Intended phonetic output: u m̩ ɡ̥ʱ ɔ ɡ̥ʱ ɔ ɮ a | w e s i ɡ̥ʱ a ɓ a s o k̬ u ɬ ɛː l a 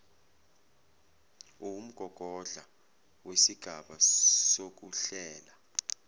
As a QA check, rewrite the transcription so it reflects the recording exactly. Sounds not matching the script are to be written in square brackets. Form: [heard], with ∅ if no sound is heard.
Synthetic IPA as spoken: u m̩ ɡ̥ʱ ɔ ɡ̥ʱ ɔ ɮ a | w e s i ɡ̥ʱ a ɓ a s o k̬ u ɬ ɛː l a